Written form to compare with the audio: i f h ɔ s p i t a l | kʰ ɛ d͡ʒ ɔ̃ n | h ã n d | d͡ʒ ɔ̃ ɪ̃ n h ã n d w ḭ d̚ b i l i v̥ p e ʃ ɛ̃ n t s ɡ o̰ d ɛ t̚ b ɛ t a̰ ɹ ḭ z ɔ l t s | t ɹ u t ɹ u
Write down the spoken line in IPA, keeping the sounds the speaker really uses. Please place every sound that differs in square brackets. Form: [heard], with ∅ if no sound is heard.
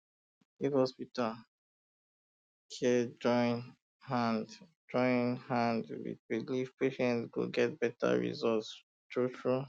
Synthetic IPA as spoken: i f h ɔ s p i t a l | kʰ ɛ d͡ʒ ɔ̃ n | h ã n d | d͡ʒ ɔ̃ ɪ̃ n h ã n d w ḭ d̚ b i l i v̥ p e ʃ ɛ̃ n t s ɡ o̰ [ɡ] ɛ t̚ b ɛ t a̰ ɹ ḭ z ɔ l t s | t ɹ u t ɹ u